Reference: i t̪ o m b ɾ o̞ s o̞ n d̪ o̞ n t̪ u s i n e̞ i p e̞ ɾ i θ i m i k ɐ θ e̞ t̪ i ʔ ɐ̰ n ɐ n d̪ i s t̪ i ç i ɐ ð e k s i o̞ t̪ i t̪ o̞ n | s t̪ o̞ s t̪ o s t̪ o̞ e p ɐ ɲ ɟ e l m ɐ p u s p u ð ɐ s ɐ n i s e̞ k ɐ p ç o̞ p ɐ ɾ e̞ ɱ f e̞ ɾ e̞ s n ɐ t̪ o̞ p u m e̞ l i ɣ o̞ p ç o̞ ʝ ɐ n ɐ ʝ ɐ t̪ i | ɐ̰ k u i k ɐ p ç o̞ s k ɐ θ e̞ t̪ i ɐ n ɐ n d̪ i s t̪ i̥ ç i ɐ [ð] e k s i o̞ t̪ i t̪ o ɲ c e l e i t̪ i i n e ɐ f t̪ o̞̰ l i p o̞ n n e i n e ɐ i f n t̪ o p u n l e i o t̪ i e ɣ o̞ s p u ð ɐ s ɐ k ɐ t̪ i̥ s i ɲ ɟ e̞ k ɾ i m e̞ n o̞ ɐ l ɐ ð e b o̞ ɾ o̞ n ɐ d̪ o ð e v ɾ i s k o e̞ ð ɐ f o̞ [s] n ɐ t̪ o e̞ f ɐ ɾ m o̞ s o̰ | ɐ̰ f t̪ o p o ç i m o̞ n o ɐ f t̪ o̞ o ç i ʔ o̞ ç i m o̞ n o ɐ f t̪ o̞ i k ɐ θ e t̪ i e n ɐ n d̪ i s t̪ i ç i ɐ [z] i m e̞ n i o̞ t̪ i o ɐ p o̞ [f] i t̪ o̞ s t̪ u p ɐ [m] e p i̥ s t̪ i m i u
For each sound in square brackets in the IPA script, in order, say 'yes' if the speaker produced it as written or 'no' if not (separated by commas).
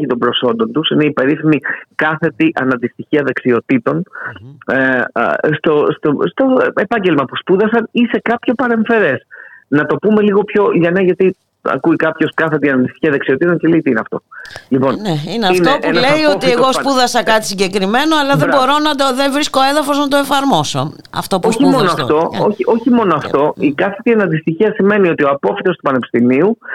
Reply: yes, no, no, yes, no